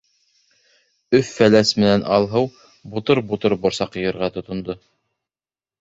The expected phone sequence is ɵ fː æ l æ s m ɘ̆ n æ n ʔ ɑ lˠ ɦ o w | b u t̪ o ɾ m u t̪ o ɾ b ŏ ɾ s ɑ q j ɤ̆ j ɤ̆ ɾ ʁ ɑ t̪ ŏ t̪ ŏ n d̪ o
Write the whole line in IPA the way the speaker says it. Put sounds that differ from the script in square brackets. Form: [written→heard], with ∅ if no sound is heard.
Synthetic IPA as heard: ɵ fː æ l æ s m ɘ̆ n æ n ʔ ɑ lˠ ɦ [o→ɤ] w | b u t̪ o ɾ [m→b] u t̪ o ɾ b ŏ ɾ s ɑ q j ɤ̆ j ɤ̆ ɾ ʁ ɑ t̪ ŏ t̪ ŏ n d̪ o